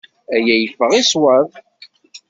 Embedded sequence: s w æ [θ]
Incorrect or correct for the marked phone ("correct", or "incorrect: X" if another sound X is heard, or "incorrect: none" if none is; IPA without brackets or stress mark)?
incorrect: ð